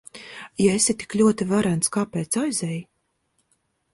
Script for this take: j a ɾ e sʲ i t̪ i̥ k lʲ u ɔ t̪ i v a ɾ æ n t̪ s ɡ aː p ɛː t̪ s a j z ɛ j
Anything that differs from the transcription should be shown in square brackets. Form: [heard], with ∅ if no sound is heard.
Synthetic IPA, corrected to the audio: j a [∅] e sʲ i t̪ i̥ k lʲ u ɔ t̪ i v a ɾ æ n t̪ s [k] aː p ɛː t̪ s a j z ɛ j